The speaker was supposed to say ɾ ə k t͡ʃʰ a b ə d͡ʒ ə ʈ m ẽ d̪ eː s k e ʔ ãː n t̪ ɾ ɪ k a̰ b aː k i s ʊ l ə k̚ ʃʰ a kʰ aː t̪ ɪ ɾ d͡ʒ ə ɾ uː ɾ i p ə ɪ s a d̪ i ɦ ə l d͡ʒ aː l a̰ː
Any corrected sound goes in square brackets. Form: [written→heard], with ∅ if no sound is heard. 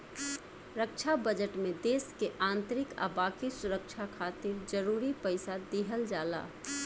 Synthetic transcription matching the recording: ɾ ə k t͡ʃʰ a b ə d͡ʒ ə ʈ m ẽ d̪ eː s k e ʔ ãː n t̪ ɾ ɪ k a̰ b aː k i s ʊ [l→ɾ] ə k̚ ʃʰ a kʰ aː t̪ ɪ ɾ d͡ʒ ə ɾ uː ɾ i p ə ɪ s a d̪ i ɦ ə l d͡ʒ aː l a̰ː